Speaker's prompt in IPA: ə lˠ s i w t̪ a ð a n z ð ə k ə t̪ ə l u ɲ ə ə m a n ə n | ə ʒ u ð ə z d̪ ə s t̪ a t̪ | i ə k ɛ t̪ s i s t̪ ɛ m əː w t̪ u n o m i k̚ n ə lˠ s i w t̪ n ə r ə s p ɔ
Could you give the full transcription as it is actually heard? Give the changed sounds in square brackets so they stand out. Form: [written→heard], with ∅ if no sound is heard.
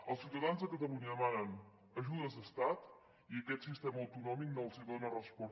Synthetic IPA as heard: ə lˠ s i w t̪ [a→ə] ð a n z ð ə k ə t̪ ə l u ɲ ə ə m a n ə n | ə ʒ u ð ə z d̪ ə s t̪ a t̪ | i ə k ɛ t̪ s i s t̪ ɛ m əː w t̪ u n [o→ɔ] m i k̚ n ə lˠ s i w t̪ n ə r ə s p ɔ

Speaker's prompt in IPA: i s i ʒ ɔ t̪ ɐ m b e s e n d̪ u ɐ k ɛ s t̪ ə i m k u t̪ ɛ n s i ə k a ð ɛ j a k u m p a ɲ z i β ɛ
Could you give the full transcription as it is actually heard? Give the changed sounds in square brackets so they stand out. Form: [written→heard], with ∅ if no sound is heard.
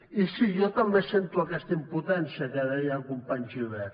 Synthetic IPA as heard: i s i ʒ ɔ t̪ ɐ m b e s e n [d̪→t̪] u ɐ k ɛ s t̪ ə i m [k→p] u t̪ ɛ n s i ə k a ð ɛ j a k u m p a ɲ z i β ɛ

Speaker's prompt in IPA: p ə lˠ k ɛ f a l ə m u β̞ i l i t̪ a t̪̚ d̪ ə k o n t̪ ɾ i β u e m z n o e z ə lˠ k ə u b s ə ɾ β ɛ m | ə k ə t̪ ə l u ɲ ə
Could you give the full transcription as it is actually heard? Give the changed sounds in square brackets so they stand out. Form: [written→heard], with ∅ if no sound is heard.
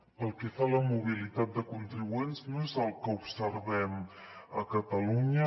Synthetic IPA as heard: p ə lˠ k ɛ f a l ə m u β̞ i l i t̪ a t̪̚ d̪ ə k [o→u] n t̪ ɾ i β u e [m→n] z n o e z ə lˠ k ə u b s ə ɾ β ɛ m | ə k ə t̪ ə l u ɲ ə

